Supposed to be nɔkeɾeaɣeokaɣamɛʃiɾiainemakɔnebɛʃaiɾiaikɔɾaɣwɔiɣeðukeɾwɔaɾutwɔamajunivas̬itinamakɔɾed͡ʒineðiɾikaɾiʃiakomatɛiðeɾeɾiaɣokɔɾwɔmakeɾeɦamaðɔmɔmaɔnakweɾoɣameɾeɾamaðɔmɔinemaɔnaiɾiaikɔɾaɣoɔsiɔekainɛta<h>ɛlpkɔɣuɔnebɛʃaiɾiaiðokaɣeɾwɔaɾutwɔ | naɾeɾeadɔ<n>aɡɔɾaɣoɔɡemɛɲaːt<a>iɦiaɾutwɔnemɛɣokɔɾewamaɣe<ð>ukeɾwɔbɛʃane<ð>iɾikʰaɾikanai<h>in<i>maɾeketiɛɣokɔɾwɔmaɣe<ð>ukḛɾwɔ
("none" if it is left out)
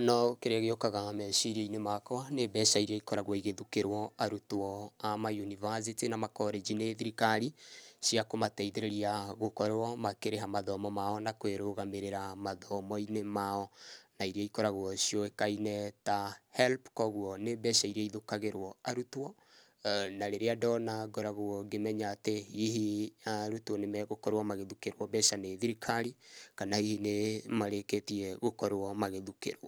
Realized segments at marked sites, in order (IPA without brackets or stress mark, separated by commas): h, n, e, ð, ð, h, e, ð